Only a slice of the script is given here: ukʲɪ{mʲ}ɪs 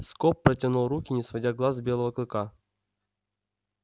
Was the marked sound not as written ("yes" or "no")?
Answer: yes